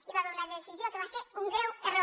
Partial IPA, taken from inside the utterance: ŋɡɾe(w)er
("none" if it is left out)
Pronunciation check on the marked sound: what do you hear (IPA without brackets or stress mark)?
w